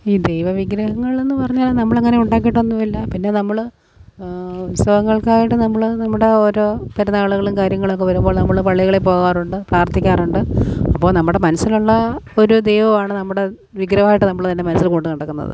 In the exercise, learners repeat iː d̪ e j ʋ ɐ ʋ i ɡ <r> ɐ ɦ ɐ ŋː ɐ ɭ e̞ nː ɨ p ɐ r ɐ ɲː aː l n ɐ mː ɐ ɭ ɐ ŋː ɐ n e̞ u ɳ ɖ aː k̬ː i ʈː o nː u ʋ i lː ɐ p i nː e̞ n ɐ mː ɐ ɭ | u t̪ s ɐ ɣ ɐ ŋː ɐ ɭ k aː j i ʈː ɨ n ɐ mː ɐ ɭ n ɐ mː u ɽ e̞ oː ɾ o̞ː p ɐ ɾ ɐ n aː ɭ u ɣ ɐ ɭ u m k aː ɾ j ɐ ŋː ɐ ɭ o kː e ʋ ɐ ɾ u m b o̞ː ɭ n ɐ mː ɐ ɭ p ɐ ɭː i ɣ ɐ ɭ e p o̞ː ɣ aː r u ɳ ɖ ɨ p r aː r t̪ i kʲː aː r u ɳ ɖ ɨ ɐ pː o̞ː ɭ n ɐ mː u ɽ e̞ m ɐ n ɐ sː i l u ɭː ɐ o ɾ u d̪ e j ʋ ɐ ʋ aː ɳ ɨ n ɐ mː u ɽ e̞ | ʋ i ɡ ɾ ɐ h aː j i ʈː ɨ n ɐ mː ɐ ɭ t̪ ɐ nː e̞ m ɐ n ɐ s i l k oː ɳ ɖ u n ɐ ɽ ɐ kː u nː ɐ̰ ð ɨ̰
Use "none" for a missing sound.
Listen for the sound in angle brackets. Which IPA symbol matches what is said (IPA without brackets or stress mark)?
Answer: ɾ